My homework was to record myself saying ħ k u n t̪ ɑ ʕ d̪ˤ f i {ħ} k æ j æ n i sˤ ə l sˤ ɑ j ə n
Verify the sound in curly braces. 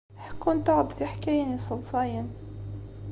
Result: correct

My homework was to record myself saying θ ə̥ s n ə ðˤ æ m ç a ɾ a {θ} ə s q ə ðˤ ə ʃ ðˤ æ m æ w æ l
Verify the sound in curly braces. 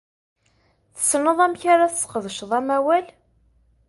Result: correct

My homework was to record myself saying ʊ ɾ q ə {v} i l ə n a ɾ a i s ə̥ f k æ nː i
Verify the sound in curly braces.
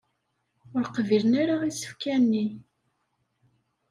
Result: correct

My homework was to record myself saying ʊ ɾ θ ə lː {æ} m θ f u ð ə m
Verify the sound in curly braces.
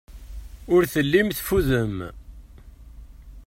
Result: incorrect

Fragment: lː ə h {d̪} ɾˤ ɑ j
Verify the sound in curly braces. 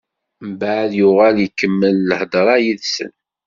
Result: correct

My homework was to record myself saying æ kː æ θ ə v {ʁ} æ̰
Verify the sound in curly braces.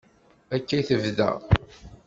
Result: incorrect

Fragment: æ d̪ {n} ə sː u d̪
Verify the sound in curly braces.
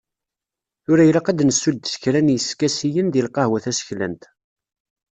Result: correct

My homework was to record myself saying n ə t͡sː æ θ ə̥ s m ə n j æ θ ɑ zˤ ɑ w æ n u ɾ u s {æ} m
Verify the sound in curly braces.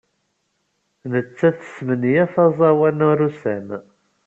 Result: correct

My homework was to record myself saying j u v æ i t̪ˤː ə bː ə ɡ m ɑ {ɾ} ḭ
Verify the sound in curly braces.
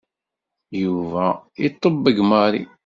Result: correct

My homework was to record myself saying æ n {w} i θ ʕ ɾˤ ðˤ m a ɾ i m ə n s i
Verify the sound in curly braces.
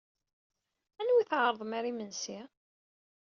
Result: correct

